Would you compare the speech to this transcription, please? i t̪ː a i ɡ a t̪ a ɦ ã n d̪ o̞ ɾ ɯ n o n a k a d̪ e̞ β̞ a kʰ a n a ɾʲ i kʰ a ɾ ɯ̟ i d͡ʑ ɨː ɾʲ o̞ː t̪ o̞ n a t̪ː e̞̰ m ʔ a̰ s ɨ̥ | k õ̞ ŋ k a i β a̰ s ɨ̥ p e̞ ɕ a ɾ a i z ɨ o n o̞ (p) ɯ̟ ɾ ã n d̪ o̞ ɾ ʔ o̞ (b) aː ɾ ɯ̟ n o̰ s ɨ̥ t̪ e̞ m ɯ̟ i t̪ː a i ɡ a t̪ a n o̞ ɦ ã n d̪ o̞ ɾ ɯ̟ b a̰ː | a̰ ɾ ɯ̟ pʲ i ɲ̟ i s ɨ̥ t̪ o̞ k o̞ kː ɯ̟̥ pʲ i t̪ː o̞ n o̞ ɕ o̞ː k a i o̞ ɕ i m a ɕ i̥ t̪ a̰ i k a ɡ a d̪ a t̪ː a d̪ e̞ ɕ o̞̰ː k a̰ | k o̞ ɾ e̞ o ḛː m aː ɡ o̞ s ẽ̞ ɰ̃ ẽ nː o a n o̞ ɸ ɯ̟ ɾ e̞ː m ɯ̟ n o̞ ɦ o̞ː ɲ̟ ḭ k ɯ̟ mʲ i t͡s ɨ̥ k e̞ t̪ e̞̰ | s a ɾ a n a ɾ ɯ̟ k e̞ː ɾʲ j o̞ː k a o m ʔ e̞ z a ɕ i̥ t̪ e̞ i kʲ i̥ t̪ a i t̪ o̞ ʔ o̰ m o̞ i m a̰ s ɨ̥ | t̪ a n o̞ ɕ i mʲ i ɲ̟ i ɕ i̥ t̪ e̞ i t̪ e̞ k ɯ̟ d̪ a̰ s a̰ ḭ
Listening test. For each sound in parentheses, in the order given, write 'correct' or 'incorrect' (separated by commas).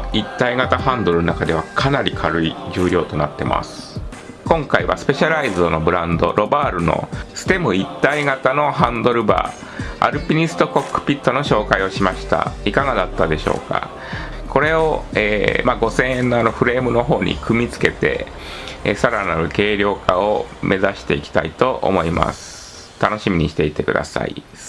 incorrect, correct